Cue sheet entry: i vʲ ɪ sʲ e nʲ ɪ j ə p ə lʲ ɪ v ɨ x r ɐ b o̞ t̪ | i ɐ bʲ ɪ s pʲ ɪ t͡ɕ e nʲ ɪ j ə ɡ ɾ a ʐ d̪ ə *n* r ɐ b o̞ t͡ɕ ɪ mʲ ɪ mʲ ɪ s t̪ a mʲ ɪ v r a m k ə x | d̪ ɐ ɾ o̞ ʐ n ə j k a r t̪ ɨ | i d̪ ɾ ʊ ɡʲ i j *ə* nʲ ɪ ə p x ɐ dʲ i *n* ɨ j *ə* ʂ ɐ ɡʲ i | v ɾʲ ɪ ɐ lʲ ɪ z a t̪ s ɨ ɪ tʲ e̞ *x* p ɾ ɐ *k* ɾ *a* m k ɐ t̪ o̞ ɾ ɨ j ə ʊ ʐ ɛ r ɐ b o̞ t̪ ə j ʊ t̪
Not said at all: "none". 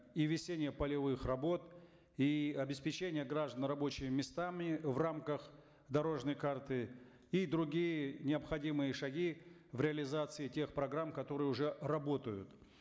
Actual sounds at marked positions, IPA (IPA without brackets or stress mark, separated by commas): n, ə, m, ə, x, ɡ, a